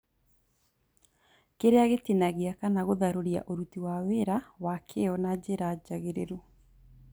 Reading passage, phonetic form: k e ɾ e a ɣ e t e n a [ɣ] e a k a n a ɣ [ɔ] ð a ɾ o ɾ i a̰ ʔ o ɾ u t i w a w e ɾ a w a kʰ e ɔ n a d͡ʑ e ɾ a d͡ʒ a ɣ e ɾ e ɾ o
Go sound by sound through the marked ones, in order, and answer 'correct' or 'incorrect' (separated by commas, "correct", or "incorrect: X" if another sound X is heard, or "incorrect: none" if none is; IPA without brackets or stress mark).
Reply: correct, incorrect: o